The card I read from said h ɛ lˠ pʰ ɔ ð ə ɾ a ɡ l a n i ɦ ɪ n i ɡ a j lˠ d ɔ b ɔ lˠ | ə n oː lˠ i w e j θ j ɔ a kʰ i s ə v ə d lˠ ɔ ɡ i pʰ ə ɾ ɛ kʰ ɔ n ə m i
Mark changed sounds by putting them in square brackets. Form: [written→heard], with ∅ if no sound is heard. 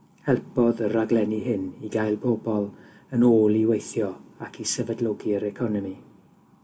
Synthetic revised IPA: h ɛ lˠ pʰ ɔ ð ə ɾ a ɡ l [a→ɛ] n i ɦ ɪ n i ɡ a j lˠ [d→b] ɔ b ɔ lˠ | ə n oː lˠ i w e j θ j ɔ a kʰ i s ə v ə d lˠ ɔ ɡ i [pʰ→∅] ə ɾ ɛ kʰ ɔ n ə m i